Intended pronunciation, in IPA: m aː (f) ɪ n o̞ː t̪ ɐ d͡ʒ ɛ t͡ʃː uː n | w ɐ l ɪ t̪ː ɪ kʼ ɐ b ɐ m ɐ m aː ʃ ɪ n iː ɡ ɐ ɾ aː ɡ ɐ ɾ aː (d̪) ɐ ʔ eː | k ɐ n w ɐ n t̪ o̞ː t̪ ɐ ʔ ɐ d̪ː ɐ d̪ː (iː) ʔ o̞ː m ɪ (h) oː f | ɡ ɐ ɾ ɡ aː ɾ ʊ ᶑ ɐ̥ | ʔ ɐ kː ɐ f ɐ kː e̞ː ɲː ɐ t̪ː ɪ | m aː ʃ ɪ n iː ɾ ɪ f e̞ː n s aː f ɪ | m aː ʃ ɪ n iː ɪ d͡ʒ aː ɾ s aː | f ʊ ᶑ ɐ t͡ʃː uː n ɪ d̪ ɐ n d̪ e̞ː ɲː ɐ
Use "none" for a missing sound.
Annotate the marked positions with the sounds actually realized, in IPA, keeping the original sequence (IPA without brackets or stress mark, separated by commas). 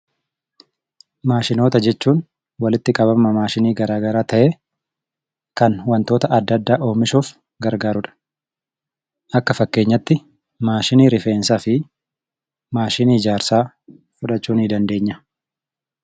ʃ, t̪, aː, ʃ